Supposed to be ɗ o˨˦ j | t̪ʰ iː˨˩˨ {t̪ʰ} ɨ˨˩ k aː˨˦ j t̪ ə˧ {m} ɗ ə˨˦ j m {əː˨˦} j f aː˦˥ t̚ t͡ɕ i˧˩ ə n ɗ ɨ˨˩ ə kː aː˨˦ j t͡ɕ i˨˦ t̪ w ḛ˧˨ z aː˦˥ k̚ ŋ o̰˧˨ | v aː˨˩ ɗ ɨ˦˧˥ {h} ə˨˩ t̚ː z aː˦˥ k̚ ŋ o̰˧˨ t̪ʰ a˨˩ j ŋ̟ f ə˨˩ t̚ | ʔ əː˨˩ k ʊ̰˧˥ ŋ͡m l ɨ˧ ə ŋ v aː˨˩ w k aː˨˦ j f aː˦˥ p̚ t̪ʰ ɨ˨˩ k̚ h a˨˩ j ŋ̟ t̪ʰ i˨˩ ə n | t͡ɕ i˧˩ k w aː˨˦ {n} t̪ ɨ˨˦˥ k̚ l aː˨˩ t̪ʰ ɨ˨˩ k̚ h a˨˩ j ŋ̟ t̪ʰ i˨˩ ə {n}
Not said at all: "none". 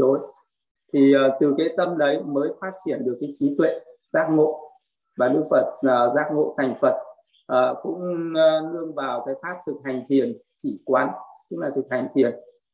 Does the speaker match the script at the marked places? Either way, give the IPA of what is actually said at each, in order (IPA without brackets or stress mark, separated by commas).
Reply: t̪, m, əː˨˦, f, n, n